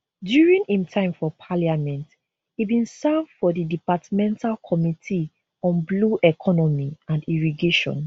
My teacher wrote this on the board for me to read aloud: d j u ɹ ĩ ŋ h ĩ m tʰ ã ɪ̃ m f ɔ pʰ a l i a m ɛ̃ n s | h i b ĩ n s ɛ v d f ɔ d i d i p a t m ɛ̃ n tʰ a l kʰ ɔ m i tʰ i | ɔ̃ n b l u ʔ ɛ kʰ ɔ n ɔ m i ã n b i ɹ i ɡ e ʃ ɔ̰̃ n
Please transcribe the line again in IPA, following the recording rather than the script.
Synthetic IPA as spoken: d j u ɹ ĩ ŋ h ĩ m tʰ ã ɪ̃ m f ɔ pʰ a l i a m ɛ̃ n t | h i b ĩ n s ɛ v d f ɔ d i d i p a t m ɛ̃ n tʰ a l kʰ ɔ m i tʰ i | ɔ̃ n b l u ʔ ɛ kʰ ɔ n ɔ m i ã n d i ɹ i ɡ e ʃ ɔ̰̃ n